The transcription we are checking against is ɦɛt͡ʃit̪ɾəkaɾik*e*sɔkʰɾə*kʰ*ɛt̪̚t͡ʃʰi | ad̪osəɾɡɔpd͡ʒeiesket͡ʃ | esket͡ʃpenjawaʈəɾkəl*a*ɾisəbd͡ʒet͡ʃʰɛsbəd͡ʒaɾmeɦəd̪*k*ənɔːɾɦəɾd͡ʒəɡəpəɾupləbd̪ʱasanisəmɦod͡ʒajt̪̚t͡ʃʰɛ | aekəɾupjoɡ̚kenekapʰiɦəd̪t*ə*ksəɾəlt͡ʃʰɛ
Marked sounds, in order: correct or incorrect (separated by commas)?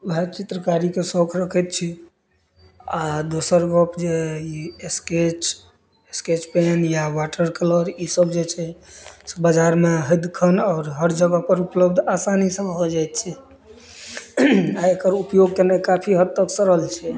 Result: correct, correct, incorrect, incorrect, correct